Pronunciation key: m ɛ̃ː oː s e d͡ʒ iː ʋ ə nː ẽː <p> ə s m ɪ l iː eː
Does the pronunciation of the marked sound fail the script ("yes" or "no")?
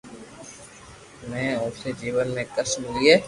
yes